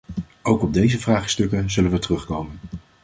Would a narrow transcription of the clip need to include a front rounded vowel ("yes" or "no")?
no